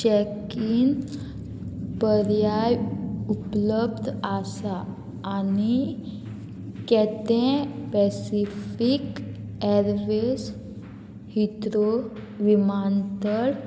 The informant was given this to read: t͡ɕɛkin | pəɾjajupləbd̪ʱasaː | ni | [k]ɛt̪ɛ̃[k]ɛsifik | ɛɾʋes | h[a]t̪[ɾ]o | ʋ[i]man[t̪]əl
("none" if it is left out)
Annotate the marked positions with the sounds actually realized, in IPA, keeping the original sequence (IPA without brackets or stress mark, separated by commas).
k, p, i, ɾ, i, t̪